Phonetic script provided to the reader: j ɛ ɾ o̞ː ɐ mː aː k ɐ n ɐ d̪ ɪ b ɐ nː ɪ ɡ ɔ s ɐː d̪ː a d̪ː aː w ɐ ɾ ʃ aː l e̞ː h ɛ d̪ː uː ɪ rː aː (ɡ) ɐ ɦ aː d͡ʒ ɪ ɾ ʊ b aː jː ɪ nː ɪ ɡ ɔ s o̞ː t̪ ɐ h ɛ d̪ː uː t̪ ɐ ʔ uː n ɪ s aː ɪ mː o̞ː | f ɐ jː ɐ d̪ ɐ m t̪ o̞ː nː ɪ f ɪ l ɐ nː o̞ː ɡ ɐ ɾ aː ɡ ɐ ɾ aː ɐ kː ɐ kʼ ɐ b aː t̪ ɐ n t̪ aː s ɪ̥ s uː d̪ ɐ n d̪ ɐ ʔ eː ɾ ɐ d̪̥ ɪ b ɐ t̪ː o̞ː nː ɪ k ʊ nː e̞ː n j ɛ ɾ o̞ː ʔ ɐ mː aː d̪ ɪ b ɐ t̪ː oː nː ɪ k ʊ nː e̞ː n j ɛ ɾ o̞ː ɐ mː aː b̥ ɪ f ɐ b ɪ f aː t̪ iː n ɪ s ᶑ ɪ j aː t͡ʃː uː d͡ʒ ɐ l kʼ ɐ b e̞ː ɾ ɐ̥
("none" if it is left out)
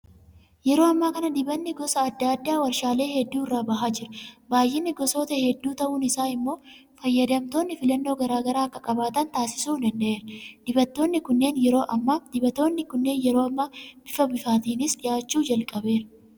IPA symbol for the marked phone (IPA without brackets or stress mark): b